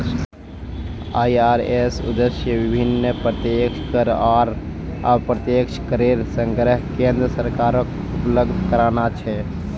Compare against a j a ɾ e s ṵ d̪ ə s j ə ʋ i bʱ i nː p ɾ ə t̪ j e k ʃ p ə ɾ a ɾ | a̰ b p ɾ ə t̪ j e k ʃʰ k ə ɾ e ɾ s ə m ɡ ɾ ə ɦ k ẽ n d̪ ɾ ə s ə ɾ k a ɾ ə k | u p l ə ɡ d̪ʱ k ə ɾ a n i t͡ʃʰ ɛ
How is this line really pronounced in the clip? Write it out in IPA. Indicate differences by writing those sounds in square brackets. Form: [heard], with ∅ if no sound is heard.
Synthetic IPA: a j a ɾ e s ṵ d̪ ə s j ə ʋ i bʱ i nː p ɾ ə t̪ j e k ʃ [k] ə ɾ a ɾ | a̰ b p ɾ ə t̪ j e k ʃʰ k ə ɾ e ɾ s ə [ŋ] ɡ ɾ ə ɦ k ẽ n d̪ ɾ ə s ə ɾ k a ɾ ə k | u p l ə ɡ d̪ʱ k ə ɾ a n [a] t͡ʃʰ ɛ